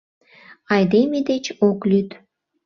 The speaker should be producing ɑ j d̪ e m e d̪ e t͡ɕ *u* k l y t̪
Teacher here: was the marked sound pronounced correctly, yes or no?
no